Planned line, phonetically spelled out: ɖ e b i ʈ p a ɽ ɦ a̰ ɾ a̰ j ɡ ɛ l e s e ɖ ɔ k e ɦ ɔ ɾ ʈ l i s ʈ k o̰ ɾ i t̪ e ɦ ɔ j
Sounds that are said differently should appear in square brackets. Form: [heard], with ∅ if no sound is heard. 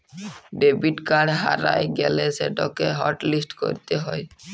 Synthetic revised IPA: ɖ e b i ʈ [k] a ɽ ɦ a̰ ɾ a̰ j ɡ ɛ l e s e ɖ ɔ k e ɦ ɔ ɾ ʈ l i s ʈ k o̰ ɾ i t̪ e ɦ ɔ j